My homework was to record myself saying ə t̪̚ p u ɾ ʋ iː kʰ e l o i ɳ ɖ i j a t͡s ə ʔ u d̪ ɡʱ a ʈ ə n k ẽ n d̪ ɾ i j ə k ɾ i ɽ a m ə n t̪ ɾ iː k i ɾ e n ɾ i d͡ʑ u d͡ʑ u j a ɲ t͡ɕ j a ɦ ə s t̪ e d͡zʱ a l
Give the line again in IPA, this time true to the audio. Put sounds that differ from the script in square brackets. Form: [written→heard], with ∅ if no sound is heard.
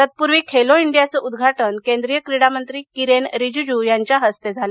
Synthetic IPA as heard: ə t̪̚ p u ɾ ʋ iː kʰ e l o i ɳ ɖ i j a t͡s ə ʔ u d̪ ɡʱ a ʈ ə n k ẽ n d̪ ɾ i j ə k ɾ i ɽ a m ə n t̪ ɾ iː k i ɾ e n ɾ i d͡ʑ u d͡ʑ u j a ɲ t͡ɕ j a ɦ ə s t̪ e d͡zʱ a l